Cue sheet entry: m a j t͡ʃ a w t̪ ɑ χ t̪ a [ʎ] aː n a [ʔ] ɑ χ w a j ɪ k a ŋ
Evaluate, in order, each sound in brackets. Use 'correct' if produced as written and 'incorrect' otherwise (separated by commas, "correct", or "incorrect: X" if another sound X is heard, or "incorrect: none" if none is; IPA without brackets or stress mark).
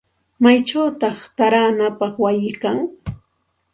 incorrect: ɾ, incorrect: p